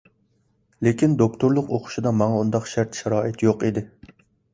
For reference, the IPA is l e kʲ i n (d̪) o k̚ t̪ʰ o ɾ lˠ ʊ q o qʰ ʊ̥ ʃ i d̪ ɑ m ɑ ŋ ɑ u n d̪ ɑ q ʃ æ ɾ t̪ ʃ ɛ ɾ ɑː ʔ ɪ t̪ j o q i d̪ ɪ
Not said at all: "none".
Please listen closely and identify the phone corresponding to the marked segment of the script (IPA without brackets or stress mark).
d̪